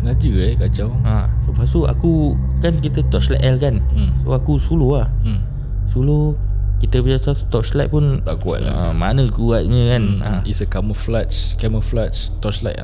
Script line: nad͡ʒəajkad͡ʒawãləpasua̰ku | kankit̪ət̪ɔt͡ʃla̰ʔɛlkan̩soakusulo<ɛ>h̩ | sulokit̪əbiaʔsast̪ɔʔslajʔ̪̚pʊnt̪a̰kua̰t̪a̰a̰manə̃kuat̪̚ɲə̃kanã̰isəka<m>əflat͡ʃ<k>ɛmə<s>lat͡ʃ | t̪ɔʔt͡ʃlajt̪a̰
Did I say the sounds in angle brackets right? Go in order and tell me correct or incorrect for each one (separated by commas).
incorrect, correct, correct, incorrect